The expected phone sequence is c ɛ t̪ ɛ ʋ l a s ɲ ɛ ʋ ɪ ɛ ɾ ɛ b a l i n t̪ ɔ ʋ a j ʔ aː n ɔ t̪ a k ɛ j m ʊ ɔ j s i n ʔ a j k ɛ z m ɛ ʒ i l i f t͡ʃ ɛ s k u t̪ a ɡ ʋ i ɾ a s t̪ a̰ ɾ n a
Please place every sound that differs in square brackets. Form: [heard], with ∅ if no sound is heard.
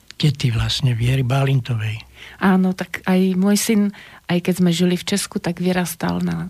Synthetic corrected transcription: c ɛ t̪ [i] ʋ l a s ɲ ɛ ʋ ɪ ɛ ɾ [i] b a l i n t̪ ɔ ʋ [ɛ] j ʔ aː n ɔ t̪ a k [a] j m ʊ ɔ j s i n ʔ a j k ɛ z m ɛ ʒ i l i f t͡ʃ ɛ s k u t̪ a ɡ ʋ i ɾ a s t̪ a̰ [l] n a